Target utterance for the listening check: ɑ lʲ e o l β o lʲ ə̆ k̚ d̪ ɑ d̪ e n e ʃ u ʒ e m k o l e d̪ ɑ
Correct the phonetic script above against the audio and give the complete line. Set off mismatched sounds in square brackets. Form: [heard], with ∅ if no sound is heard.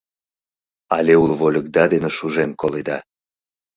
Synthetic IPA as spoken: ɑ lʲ e [u] l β o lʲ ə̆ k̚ d̪ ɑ d̪ e n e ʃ u ʒ e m k o l e d̪ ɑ